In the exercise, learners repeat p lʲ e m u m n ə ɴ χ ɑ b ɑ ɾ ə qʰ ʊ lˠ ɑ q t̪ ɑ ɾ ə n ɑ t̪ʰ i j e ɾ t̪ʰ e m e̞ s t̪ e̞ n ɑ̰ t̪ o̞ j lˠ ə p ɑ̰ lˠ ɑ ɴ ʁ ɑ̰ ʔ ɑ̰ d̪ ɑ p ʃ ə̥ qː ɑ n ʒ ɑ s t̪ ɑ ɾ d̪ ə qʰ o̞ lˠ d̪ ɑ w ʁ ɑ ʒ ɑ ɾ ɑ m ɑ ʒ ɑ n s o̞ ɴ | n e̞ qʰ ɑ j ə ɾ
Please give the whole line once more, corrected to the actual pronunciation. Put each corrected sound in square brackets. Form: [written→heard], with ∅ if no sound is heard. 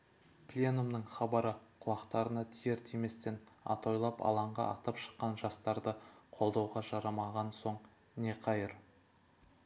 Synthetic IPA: p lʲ e [m→n] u m n ə ɴ χ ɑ b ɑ ɾ ə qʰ ʊ lˠ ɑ q t̪ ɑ ɾ ə n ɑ t̪ʰ i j e ɾ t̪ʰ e m e̞ s t̪ e̞ n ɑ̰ t̪ o̞ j lˠ [ə→ɑ] p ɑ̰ lˠ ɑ ɴ ʁ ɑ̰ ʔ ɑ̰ [d̪→t̪] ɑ p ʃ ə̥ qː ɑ n ʒ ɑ s t̪ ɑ ɾ d̪ ə qʰ o̞ lˠ d̪ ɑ w ʁ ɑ ʒ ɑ ɾ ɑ m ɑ [ʒ→ʁ] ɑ n s o̞ ɴ | n e̞ qʰ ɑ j ə ɾ